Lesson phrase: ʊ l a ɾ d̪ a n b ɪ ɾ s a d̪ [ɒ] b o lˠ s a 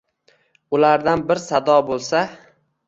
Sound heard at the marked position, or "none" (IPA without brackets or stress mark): ɒ